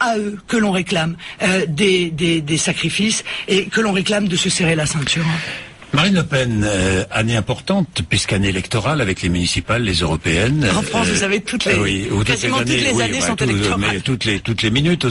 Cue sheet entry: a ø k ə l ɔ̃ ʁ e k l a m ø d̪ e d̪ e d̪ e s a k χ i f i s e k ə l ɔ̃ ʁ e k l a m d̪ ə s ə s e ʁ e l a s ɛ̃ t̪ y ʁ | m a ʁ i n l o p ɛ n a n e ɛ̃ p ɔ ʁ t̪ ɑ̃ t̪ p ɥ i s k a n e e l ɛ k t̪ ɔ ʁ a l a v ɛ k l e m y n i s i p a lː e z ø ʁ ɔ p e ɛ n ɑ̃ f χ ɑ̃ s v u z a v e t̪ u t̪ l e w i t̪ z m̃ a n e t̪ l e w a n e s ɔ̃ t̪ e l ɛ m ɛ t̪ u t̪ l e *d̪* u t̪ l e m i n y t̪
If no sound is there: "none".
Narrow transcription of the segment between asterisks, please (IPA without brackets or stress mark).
t̪